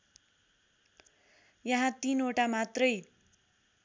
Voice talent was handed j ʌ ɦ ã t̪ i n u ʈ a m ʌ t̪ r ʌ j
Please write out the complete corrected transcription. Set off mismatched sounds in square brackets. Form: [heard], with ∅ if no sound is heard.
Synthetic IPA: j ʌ ɦ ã t̪ i n [o] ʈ a m [a] t̪ r ʌ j

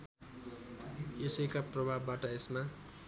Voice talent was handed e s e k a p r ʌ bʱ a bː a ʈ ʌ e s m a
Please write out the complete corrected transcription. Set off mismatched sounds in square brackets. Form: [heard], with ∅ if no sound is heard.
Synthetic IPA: e s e k a p r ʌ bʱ a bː a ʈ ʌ e s m a

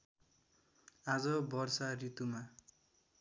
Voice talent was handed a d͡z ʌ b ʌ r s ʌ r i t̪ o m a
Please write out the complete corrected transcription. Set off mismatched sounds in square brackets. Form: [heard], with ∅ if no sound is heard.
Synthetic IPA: a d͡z ʌ b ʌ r s [a] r i t̪ [u] m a

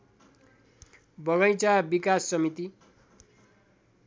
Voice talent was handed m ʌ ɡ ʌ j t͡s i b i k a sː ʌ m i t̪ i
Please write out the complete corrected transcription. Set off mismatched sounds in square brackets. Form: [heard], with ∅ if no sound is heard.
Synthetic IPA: [b] ʌ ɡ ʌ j t͡s [a] b i k a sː ʌ m i t̪ i

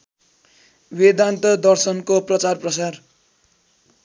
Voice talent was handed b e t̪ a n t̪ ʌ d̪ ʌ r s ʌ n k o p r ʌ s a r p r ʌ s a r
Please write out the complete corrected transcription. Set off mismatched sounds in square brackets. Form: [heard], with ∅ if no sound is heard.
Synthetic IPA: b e [d̪] a n t̪ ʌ d̪ ʌ r s ʌ n k o p r ʌ [t͡s] a r p r ʌ s a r

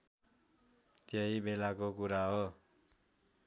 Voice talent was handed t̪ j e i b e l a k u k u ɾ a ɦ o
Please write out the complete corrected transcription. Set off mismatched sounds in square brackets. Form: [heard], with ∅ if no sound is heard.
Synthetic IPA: t̪ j e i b e l a k [o] k u ɾ a ɦ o

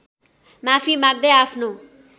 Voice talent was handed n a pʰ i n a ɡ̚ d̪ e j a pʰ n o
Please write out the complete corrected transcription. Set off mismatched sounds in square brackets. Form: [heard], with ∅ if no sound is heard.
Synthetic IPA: [m] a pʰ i [m] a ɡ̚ d̪ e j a pʰ n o

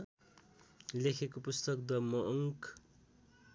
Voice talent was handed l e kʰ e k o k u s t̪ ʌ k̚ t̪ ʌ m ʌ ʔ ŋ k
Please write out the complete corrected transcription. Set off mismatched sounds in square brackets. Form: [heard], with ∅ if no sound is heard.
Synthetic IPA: l e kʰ e k o [p] u s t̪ ʌ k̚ [d̪] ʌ m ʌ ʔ ŋ k

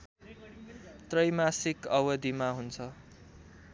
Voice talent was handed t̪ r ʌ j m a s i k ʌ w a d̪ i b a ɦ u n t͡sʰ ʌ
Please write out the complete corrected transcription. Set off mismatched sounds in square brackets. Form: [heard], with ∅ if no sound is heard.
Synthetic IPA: t̪ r ʌ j m a s i k ʌ w [ʌ] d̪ i [m] a ɦ u n t͡sʰ ʌ

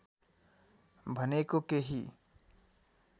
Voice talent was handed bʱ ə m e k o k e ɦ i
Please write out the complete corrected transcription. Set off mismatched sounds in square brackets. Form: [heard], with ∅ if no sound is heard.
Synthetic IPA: bʱ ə [n] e k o k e ɦ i

